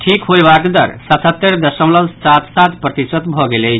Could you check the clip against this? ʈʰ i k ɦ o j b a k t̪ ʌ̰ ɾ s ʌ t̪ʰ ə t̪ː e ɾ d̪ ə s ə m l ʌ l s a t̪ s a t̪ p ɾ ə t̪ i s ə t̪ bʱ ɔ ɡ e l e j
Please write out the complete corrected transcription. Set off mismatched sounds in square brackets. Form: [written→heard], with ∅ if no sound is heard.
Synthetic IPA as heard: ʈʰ i k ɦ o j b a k [t̪→d̪] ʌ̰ ɾ s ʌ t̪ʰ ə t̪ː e ɾ d̪ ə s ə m l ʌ l s a t̪ s a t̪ p ɾ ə t̪ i s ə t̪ bʱ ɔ ɡ e l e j